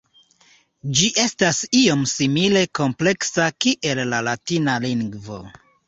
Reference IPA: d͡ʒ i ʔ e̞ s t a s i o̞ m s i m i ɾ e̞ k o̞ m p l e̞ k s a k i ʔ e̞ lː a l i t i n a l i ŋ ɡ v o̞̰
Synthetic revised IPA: d͡ʒ i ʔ e̞ s t a s i o̞ m s i m i l e̞ k o̞ m p l e̞ k s a k i ʔ e̞ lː a l a t i n a l i ŋ ɡ v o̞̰